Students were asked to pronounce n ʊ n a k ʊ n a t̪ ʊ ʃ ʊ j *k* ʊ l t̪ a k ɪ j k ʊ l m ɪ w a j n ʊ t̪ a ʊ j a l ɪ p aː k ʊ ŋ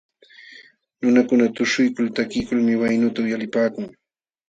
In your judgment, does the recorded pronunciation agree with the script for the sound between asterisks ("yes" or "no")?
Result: yes